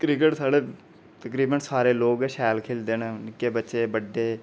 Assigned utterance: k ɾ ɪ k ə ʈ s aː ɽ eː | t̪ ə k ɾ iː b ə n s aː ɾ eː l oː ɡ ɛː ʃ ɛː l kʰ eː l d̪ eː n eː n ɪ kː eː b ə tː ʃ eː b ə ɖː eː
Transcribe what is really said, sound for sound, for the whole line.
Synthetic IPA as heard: k ɾ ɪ k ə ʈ s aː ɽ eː | t̪ ə k ɾ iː b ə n s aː ɾ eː l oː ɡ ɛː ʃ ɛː l kʰ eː l d̪ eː n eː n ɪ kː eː b ə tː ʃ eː b ə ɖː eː